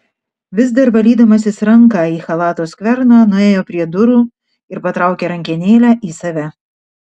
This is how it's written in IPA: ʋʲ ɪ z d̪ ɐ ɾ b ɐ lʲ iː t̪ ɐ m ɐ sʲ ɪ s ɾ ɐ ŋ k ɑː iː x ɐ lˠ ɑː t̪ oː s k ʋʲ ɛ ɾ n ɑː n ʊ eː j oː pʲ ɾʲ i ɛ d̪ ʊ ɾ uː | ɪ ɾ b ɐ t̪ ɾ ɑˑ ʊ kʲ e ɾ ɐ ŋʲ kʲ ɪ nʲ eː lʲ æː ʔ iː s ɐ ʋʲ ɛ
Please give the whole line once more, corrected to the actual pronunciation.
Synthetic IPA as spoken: ʋʲ ɪ z d̪ ɐ ɾ b ɐ lʲ iː d̪ ɐ m ɐ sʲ ɪ s ɾ ɐ ŋ k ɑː iː x ɐ lˠ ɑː t̪ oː s k ʋʲ ɛ ɾ n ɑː n ʊ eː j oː pʲ ɾʲ i ɛ d̪ ʊ ɾ uː | ɪ ɾ p ɐ t̪ ɾ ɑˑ ʊ kʲ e ɾ ɐ ŋʲ kʲ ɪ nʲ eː lʲ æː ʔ iː s ɐ ʋʲ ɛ

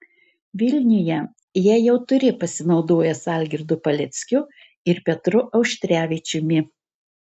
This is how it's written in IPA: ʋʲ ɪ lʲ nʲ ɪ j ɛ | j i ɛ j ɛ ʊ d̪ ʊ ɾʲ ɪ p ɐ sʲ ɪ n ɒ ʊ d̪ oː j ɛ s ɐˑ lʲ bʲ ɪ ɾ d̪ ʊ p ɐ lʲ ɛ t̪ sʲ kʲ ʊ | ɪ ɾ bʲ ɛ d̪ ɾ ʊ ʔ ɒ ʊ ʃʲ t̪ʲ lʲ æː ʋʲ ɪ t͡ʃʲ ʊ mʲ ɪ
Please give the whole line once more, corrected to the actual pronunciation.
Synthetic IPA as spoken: ʋʲ ɪ lʲ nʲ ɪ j ɛ | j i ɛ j ɛ ʊ t̪ ʊ ɾʲ ɪ p ɐ sʲ ɪ n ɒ ʊ d̪ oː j ɛ s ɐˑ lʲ ɡʲ ɪ ɾ d̪ ʊ p ɐ lʲ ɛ t̪ sʲ kʲ ʊ | ɪ ɾ pʲ ɛ t̪ ɾ ʊ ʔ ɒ ʊ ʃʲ t̪ʲ ɾʲ æː ʋʲ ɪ t͡ʃʲ ʊ mʲ ɪ

